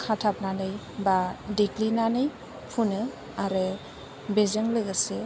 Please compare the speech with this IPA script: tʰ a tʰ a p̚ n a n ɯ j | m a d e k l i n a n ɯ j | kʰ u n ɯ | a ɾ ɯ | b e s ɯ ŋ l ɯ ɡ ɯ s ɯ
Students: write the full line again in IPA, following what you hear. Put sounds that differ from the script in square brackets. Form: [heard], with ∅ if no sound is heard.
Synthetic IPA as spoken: [kʰ] a tʰ a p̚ n a n ɯ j | [b] a d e k l i n a n ɯ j | [pʰ] u n ɯ | a ɾ ɯ | b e [z] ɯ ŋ l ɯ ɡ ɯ s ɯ